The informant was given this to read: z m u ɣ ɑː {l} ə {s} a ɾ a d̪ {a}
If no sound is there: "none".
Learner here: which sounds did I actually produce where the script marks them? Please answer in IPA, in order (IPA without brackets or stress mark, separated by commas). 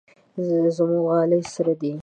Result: l, s, i